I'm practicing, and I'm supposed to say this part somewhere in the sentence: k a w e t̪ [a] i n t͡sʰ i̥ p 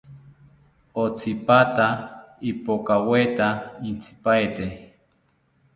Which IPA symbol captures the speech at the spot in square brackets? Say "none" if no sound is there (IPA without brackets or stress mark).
a